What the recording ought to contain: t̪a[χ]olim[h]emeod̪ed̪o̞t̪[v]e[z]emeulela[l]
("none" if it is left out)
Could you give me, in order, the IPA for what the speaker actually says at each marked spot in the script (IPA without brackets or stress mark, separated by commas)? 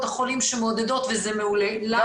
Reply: χ, ʃ, v, z, none